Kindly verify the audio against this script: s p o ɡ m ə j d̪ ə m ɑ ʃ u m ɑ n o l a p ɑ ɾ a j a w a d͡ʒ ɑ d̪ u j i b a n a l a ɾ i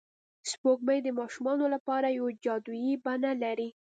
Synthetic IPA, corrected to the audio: s p o ɡ m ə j d̪ ə m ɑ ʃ u m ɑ n o l a p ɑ ɾ a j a w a d͡ʒ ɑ d̪ u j i b a n a l a ɾ i

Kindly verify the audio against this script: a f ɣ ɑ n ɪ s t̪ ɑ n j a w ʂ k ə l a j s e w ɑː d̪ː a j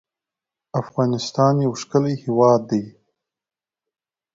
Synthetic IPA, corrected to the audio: a f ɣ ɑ n ɪ s t̪ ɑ n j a w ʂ k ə l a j h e w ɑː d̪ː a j

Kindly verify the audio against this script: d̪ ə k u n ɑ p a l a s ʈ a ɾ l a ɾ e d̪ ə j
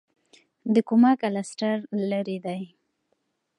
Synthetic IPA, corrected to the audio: d̪ ə k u m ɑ k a l a s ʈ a ɾ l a ɾ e d̪ a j

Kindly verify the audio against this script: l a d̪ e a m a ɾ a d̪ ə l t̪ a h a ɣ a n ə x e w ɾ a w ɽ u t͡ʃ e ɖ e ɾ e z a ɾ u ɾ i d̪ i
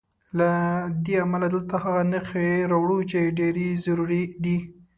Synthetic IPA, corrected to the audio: l a d̪ e a m a l a d̪ ə l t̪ a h a ɣ a n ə x e ɾ a w ɽ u t͡ʃ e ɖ e ɾ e z a ɾ u ɾ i d̪ i

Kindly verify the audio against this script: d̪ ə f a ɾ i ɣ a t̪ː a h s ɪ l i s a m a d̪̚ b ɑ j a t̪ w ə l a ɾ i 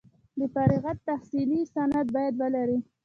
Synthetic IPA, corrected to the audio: d̪ ə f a ɾ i ɣ a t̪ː a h s i l i s a n a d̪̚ b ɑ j a d̪ w ə l a ɾ i

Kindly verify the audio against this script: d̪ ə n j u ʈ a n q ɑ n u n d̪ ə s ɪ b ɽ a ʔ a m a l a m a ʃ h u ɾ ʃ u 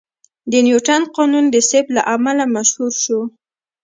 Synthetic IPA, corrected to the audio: d̪ ə n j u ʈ a n q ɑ n u n d̪ ə s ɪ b l a ʔ a m a l a m a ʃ h u ɾ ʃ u

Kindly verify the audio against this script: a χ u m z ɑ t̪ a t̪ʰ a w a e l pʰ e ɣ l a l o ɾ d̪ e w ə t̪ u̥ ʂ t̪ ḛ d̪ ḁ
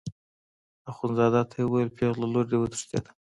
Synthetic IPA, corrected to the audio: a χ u n z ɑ d̪ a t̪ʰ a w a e l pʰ e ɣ l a l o ɾ d̪ e w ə t̪ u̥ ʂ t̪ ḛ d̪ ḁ

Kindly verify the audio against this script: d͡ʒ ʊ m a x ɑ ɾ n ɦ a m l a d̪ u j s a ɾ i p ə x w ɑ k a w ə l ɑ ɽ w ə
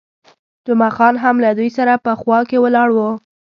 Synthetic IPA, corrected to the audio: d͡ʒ ʊ m a x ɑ n ɦ a m l a d̪ u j s a ɾ a p ə x w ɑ k e w ə l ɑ ɽ w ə

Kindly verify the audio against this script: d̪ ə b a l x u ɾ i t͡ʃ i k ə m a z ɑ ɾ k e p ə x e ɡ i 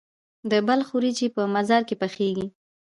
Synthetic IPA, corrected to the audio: d̪ ə b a l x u ɾ i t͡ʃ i p ə m a z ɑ ɾ k e p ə x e ɡ i

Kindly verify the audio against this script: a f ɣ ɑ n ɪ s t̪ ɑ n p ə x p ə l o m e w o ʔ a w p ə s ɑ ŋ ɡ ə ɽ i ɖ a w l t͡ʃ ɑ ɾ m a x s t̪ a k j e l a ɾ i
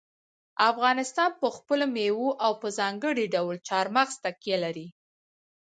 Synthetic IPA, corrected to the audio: a f ɣ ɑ n ɪ s t̪ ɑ n p ə x p ə l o m e w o ʔ a w p ə z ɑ ŋ ɡ ə ɽ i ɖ a w l t͡ʃ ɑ ɾ m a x s t̪ a k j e l a ɾ i

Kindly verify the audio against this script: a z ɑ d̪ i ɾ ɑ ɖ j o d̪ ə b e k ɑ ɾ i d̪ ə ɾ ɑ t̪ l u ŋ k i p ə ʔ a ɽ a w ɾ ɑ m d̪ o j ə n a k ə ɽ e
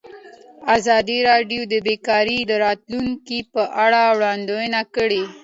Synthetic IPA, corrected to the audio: a z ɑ d̪ i ɾ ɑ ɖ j o d̪ ə b e k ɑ ɾ i d̪ ə ɾ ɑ t̪ l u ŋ k i p ə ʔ a ɽ a w ɽ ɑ n d̪ o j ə n a k ə ɽ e

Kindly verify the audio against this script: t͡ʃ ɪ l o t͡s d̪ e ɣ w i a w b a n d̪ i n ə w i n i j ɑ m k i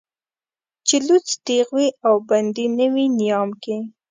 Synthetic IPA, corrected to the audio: t͡ʃ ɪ l u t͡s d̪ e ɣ w i a w b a n d̪ i n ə w i n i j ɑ m k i

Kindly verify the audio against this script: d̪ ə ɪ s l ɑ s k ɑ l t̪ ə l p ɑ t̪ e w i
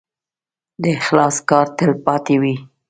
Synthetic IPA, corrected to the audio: d̪ ə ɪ x l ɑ s k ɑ ɾ t̪ ə l p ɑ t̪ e w i

